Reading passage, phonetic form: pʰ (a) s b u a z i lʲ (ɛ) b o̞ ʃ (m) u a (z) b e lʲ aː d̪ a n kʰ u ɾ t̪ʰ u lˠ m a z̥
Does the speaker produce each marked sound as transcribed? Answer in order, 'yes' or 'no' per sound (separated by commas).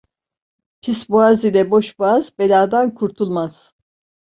no, yes, no, yes